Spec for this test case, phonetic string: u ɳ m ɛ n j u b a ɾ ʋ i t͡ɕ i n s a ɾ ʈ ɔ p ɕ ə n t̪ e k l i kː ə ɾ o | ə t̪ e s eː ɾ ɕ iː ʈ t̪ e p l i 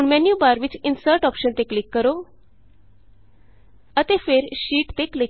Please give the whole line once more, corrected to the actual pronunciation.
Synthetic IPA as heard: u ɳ m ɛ n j u b a ɾ ʋ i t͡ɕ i n s ə ɾ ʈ ɔ p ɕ ə n t̪ e k l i kː ə ɾ o | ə t̪ e f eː ɾ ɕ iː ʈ t̪ e k l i